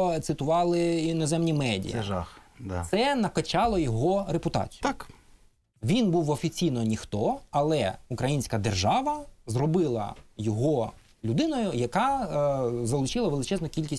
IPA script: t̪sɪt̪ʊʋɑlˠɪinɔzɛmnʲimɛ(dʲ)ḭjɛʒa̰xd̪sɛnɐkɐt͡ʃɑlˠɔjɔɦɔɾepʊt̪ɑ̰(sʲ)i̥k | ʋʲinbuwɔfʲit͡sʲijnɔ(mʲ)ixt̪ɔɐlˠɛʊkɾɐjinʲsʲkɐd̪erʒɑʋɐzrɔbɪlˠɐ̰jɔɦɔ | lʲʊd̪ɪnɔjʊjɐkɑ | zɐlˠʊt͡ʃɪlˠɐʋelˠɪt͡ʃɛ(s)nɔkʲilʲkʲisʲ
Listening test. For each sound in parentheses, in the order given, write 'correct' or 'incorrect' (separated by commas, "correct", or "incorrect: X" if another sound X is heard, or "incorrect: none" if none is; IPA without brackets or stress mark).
correct, incorrect: t͡sʲ, incorrect: nʲ, incorrect: z